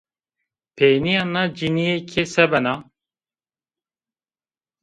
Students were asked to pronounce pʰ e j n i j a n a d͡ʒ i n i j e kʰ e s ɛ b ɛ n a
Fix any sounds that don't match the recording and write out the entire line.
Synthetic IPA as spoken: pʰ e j n i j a n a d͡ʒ i n i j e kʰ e s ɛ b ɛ n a